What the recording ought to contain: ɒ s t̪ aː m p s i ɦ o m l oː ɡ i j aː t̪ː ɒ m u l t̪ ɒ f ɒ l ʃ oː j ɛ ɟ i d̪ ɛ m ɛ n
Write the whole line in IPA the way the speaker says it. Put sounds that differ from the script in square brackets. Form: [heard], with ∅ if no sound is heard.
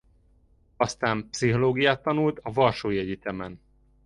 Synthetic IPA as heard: ɒ s t̪ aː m p s i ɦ o [∅] l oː ɡ i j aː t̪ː ɒ [n] u l t̪ ɒ [v] ɒ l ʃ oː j ɛ ɟ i [t̪] ɛ m ɛ n